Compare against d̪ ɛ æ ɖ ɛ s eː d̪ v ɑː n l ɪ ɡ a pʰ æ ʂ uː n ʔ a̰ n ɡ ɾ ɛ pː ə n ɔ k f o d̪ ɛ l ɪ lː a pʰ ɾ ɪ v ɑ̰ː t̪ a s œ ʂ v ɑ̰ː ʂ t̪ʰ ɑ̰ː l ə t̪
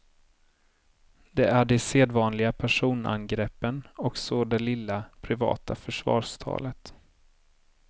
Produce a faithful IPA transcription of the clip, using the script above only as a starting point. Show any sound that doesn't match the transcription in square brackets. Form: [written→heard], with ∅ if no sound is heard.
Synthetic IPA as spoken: d̪ ɛ æ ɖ ɛ s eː d̪ v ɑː n l ɪ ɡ a pʰ æ ʂ uː n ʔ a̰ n ɡ ɾ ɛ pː ə n ɔ k [f→s] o d̪ ɛ l ɪ lː a pʰ ɾ ɪ v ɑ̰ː t̪ a [s→f] œ ʂ v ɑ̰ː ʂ t̪ʰ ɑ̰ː l ə t̪